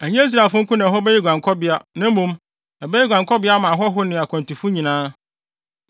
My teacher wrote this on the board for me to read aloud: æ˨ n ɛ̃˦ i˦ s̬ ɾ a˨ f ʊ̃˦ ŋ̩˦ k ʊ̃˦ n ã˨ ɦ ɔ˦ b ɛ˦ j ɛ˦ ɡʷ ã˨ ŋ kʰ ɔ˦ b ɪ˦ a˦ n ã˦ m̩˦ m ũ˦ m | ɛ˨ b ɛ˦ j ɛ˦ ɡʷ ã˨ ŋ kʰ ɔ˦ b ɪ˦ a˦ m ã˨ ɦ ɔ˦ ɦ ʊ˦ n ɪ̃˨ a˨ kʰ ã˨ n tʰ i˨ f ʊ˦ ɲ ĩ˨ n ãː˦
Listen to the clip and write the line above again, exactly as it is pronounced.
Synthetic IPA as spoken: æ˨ ɲ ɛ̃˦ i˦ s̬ ɾ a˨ f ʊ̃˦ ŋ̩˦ k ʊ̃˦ n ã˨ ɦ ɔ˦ b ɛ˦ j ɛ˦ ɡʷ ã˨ ŋ kʰ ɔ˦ b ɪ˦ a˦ n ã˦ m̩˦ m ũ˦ m | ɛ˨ b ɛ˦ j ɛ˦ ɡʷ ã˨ ŋ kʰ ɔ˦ b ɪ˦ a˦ m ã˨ ɦ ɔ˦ ɦ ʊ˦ n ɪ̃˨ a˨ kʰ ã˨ n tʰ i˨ f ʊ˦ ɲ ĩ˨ n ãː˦